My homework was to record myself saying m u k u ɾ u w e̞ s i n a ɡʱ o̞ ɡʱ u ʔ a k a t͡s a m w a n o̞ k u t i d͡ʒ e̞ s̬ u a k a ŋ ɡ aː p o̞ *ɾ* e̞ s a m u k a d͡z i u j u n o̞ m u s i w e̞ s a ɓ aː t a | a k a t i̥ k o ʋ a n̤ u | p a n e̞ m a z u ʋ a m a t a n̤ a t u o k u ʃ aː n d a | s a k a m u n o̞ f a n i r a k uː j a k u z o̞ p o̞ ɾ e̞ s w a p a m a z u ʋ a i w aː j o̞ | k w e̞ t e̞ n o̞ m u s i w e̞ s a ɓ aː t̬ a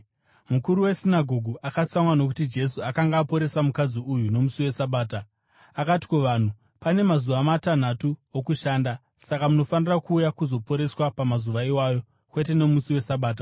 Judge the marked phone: correct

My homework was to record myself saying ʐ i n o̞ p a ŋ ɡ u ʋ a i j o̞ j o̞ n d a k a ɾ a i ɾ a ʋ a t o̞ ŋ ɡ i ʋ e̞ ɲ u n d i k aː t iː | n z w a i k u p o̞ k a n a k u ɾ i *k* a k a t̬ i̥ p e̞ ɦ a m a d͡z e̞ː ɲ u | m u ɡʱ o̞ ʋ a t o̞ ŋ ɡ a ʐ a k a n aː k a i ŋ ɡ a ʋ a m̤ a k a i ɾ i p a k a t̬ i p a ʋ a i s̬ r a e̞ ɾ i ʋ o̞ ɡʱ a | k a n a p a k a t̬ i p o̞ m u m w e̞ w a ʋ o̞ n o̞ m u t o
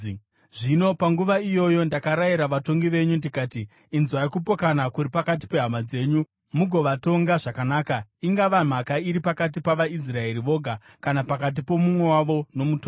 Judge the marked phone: incorrect: p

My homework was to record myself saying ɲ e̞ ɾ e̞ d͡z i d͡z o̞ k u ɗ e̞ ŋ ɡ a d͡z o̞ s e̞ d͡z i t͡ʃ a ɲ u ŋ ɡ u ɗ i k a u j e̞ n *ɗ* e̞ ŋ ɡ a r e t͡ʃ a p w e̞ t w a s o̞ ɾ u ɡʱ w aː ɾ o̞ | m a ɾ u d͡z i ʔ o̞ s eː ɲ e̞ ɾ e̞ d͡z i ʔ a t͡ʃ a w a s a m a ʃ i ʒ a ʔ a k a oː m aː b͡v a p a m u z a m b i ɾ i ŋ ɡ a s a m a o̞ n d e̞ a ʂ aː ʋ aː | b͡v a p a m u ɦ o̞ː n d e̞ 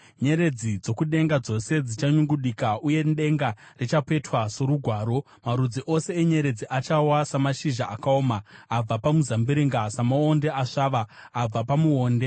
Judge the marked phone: correct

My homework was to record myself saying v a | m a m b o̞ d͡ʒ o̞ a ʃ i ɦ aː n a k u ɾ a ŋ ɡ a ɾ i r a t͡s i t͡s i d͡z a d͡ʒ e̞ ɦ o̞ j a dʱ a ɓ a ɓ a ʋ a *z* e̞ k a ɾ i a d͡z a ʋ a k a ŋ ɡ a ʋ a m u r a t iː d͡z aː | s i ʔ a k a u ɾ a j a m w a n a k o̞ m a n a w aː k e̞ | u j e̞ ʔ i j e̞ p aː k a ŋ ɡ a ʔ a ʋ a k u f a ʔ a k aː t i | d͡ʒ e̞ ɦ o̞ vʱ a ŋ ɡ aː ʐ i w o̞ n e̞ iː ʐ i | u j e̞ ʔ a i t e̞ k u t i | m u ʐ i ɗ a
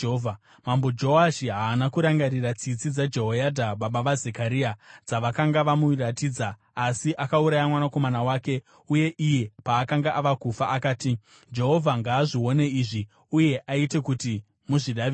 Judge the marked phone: correct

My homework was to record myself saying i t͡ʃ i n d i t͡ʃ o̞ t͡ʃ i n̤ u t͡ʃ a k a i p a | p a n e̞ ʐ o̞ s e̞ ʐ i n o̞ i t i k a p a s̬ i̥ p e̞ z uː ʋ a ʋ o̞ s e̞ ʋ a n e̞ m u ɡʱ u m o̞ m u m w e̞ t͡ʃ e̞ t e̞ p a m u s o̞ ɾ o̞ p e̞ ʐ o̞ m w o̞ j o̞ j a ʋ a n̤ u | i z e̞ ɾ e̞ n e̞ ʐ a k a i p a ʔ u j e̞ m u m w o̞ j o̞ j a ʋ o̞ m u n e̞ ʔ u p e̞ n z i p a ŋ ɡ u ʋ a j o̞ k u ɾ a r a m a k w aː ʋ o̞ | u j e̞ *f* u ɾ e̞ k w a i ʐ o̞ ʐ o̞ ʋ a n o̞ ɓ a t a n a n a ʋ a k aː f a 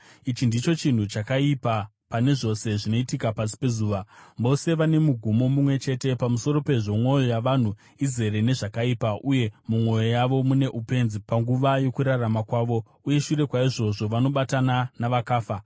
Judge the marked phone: incorrect: ʃ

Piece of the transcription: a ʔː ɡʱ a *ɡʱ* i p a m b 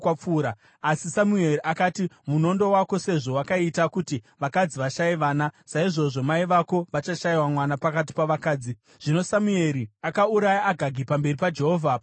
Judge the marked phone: correct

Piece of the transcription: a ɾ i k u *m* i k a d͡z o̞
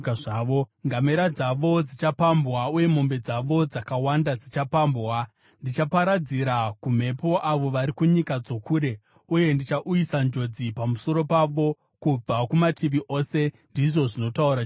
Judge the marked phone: incorrect: ɲ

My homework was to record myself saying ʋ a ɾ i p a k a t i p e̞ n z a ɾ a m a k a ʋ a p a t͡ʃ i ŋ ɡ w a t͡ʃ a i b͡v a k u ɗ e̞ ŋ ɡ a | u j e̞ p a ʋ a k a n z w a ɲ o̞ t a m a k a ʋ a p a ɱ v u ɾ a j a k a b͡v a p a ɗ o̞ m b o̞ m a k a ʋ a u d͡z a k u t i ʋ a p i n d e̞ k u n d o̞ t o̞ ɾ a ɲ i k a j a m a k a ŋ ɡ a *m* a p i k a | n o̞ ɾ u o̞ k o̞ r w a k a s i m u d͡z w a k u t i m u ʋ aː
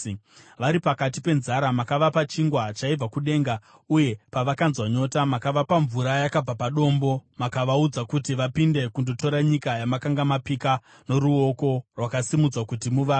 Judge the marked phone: correct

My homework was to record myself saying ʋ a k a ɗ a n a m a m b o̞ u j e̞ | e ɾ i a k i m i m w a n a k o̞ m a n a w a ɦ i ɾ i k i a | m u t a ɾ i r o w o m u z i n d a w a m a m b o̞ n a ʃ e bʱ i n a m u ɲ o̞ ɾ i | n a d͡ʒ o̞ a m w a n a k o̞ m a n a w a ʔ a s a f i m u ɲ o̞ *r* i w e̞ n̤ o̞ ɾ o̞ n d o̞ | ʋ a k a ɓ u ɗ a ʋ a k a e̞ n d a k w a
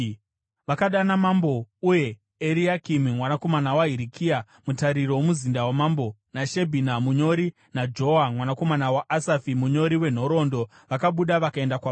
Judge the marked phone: incorrect: ɾ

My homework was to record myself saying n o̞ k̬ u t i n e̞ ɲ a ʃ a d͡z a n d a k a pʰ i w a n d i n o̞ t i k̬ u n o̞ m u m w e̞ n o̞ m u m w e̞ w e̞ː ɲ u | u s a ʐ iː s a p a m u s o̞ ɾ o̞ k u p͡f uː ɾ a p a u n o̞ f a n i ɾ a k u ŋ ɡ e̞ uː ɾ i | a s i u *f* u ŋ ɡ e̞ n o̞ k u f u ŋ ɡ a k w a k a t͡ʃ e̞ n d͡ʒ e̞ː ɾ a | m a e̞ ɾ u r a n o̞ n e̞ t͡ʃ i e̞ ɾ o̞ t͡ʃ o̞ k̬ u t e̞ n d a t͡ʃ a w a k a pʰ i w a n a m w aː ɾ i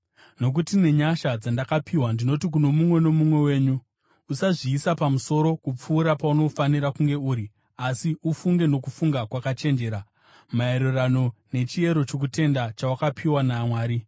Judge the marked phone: correct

